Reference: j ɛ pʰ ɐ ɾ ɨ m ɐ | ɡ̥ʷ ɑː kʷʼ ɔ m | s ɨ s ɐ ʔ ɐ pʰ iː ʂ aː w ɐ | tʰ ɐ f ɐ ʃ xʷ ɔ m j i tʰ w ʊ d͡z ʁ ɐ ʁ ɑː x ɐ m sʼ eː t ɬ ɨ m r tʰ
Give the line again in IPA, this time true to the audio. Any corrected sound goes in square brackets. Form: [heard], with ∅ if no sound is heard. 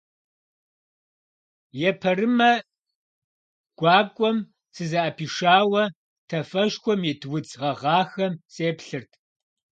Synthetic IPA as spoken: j ɛ pʰ ɐ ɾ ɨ m ɐ | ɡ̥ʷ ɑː kʷʼ ɔ m | s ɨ [z] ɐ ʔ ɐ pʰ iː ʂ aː w ɐ | tʰ ɐ f ɐ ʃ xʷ ɔ m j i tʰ w ʊ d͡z ʁ ɐ ʁ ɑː x ɐ m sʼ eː [p] ɬ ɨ [∅] r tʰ

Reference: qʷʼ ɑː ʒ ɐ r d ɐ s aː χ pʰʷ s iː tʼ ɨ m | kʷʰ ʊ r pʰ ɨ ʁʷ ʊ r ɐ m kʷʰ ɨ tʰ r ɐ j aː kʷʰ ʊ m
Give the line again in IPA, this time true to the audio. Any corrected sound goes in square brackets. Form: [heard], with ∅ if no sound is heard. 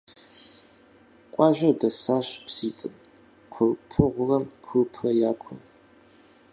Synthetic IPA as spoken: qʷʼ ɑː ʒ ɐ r d ɐ s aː [ɕ] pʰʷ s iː tʼ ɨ m | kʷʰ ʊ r pʰ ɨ ʁʷ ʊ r ɐ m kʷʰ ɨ [pʰ] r ɐ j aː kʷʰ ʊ m

